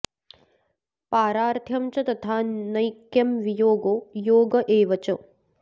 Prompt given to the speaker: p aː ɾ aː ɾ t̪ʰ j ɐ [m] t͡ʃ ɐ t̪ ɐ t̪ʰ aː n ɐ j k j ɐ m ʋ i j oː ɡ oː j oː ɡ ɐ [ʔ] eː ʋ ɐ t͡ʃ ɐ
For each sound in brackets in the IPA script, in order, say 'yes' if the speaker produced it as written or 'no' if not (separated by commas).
yes, yes